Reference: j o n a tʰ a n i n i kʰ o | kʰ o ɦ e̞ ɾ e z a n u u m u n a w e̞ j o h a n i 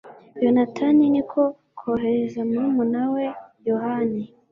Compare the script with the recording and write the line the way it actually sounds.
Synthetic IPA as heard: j o n a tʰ a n i n i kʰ o | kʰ o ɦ e̞ ɾ e z a m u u m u n a w e̞ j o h a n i